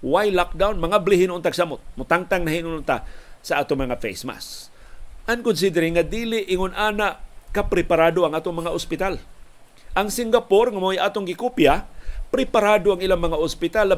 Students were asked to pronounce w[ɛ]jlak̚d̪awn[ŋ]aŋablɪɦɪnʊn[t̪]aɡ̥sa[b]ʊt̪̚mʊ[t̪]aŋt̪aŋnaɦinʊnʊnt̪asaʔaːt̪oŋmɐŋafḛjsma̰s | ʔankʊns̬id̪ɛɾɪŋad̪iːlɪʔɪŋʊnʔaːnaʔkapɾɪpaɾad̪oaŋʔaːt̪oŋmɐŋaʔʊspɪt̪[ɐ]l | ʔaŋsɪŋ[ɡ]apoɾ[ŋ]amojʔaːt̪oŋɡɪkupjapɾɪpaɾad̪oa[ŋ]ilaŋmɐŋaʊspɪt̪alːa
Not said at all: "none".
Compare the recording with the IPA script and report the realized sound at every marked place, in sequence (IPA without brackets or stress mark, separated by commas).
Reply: a, m, t̪, m, t̪, a, ɡ, ŋ, ŋ